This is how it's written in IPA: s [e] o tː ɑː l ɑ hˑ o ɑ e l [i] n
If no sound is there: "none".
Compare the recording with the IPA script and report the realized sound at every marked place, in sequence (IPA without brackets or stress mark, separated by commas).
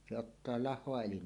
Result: e, i